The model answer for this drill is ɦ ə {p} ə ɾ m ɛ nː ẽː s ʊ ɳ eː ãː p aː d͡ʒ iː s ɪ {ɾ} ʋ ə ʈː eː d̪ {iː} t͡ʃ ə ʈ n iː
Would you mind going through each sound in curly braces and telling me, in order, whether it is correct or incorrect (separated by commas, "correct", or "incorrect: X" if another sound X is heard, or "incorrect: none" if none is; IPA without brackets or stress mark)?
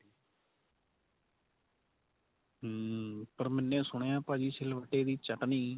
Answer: correct, incorrect: l, correct